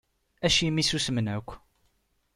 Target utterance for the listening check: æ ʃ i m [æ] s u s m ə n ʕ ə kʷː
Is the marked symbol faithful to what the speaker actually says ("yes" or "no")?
no